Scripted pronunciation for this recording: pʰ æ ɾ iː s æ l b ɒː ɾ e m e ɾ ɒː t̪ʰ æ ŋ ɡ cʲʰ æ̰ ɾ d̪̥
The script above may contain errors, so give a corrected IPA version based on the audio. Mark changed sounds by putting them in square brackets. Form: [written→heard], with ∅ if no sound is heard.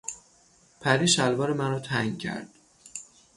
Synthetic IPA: pʰ æ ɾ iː [s→ʃ] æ l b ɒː ɾ e m [e→æ] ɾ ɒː t̪ʰ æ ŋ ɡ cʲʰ æ̰ ɾ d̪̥